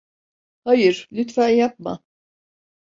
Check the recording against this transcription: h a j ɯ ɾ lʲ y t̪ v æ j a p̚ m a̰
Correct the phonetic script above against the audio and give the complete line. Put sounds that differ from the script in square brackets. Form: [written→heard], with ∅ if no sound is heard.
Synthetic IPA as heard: h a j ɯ ɾ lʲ y t̪ [v→f] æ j a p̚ m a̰